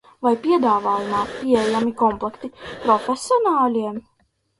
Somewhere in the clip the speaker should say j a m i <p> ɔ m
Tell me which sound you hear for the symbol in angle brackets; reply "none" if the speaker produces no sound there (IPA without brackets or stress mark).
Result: k